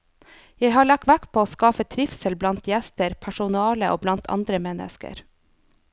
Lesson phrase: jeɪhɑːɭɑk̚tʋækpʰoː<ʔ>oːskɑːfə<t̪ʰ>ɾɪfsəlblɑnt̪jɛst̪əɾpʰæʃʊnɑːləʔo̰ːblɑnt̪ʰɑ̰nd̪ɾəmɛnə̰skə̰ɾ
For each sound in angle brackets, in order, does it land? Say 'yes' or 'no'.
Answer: no, yes

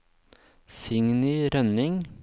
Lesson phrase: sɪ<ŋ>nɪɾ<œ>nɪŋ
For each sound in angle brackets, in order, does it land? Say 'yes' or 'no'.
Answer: yes, yes

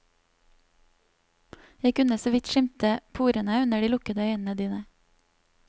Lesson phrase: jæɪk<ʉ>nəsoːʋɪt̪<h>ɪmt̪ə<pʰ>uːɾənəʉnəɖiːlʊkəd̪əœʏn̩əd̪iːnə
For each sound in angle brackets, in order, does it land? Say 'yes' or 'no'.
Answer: yes, no, yes

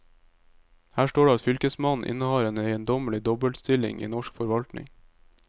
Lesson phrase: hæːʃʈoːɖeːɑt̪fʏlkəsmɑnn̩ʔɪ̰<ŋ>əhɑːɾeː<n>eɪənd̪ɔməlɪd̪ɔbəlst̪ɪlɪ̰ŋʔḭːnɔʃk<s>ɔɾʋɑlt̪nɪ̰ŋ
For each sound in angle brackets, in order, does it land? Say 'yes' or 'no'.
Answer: no, yes, no

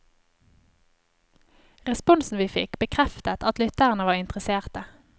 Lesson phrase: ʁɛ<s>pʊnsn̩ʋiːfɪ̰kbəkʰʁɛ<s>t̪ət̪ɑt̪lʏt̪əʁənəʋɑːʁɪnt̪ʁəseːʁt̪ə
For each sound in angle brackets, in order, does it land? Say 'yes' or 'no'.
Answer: yes, no

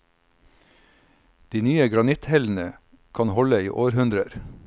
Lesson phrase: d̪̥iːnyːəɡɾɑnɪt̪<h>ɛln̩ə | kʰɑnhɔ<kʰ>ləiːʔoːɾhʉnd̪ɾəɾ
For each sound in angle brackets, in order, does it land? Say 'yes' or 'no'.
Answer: yes, no

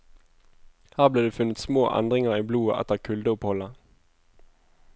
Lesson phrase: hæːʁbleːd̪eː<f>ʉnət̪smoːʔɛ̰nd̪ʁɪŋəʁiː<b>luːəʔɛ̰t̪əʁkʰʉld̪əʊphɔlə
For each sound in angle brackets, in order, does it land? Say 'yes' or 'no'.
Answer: yes, yes

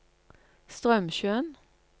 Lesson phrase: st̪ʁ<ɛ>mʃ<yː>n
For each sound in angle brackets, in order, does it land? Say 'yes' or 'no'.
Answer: no, no

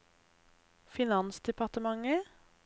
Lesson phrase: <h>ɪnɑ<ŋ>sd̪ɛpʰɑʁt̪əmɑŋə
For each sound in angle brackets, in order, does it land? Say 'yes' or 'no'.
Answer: no, no

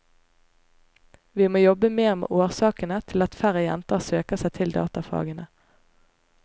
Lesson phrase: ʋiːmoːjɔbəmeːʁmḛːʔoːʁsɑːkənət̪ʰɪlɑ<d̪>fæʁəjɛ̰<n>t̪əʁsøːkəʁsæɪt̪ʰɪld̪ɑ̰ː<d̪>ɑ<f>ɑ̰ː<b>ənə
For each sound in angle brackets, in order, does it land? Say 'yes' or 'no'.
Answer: no, yes, no, yes, no

